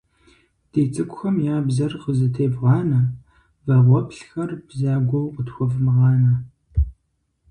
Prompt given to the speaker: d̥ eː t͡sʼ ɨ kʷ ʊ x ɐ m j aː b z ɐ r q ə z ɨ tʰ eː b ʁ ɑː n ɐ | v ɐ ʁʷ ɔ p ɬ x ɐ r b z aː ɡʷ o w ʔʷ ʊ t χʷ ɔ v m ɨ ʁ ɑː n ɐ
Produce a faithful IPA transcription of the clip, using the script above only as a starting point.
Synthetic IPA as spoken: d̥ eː t͡sʼ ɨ kʷ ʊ x ɐ m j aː b z ɐ r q ə z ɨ tʰ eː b ʁ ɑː n ɐ | v ɐ ʁʷ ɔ p ɬ x ɐ r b z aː ɡʷ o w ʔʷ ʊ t xʷ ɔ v m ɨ ʁ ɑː n ɐ